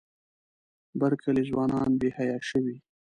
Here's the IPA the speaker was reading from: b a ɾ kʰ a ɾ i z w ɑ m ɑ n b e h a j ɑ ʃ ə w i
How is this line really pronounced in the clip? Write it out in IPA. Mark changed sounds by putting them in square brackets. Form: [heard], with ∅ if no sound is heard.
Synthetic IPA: b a ɾ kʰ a [l] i z w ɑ [n] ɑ n b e h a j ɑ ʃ ə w i